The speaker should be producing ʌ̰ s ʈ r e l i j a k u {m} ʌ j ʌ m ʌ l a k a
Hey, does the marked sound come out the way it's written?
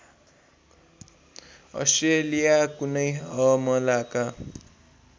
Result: no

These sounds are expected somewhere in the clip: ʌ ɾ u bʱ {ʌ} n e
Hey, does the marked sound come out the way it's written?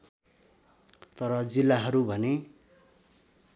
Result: yes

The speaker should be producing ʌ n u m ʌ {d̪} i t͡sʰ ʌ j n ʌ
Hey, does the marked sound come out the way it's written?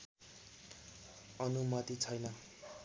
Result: no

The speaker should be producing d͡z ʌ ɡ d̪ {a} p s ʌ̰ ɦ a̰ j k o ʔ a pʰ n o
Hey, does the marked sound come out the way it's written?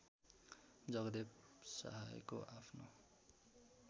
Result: no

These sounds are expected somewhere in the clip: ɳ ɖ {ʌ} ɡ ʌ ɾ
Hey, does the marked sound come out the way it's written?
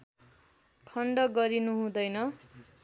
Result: yes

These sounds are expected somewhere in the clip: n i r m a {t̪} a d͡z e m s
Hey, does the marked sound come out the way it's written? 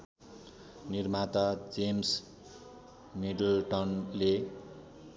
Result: yes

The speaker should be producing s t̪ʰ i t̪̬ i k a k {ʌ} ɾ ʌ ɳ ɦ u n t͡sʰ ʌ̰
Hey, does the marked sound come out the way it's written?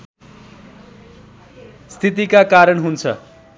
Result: no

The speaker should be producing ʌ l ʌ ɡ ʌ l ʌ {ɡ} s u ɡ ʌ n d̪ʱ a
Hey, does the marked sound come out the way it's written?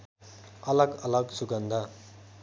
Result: yes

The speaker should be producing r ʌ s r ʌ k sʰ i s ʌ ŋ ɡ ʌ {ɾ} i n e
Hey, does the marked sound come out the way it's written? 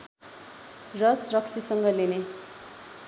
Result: no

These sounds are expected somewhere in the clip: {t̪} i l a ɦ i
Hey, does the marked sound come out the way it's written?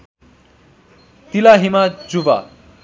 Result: yes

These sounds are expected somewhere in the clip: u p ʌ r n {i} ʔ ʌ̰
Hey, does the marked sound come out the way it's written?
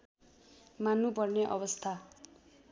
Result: no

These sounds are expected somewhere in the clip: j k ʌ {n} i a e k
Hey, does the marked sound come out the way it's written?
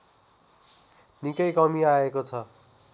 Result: no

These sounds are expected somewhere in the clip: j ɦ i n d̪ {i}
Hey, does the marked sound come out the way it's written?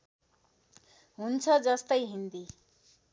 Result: yes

